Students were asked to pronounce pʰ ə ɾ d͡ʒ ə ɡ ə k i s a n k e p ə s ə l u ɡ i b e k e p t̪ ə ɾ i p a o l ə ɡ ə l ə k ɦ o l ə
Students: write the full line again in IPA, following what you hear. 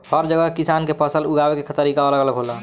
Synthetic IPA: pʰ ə ɾ d͡ʒ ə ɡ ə k i s a n k e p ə s ə l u ɡ a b e k e k t̪ ə ɾ i k a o l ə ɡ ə l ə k ɦ o l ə